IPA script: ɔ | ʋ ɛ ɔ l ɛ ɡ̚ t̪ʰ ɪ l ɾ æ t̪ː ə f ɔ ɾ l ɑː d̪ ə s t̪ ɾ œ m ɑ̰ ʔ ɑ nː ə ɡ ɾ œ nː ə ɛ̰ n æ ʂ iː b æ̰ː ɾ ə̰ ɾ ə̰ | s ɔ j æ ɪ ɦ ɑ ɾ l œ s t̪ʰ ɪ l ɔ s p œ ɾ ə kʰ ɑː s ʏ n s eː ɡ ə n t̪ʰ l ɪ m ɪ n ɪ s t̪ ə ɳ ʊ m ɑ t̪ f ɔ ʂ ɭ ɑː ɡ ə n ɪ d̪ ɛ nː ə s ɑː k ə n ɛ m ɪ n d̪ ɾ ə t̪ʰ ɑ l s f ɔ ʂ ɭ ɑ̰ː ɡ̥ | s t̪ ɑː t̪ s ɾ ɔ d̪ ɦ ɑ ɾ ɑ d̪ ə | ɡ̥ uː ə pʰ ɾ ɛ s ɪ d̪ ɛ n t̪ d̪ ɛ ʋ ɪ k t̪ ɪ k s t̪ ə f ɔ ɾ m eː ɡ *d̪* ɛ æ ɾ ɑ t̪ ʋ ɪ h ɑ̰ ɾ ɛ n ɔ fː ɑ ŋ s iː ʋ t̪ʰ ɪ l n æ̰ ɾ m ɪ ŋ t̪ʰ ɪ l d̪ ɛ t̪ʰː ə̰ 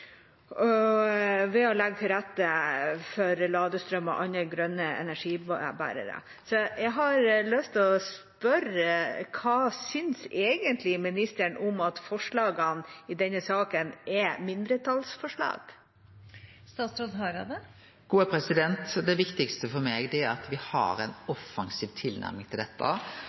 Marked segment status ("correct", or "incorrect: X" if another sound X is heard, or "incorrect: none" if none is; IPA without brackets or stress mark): correct